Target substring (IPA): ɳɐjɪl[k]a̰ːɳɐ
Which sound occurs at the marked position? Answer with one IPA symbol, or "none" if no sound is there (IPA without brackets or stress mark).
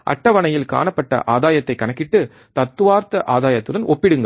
k